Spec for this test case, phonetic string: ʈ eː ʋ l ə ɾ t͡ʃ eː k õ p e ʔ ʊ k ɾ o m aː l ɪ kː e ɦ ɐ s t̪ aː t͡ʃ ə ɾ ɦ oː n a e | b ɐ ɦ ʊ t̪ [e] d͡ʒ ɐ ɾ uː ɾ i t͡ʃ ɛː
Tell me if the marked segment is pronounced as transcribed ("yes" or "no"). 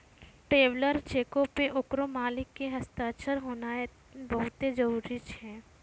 yes